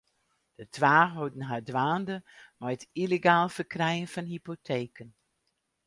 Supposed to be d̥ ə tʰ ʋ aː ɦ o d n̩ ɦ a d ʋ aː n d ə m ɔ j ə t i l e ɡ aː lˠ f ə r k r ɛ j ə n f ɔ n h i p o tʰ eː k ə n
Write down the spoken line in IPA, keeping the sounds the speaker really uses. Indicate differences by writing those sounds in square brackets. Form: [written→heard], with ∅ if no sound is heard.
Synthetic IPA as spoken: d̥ ə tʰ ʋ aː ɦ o d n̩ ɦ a d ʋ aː n d ə m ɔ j ə t i l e ɡ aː lˠ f ə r k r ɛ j ə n f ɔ n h i p o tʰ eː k ə n